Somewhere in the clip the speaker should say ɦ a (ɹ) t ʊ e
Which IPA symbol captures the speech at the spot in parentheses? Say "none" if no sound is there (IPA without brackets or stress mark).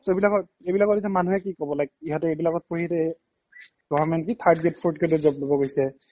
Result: none